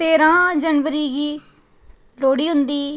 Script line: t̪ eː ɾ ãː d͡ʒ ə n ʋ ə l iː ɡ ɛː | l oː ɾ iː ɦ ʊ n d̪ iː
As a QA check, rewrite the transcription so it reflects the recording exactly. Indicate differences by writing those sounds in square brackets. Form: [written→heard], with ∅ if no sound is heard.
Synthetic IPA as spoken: t̪ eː ɾ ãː d͡ʒ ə n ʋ ə [l→ɾ] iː ɡ [ɛː→iː] | l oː [ɾ→ɽ] iː ɦ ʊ n d̪ iː